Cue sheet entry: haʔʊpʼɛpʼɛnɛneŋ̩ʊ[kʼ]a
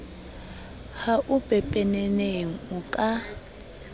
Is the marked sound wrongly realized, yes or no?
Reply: no